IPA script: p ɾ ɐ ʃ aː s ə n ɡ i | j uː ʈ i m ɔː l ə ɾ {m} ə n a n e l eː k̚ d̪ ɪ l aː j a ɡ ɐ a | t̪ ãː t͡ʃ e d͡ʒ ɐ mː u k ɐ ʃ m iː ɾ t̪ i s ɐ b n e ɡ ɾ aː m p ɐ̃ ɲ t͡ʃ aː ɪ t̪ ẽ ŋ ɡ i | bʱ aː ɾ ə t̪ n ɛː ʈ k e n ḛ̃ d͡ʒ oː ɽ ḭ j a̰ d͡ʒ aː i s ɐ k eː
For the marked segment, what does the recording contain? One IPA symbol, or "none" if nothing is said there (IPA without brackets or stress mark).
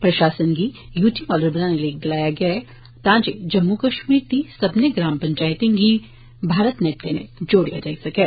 b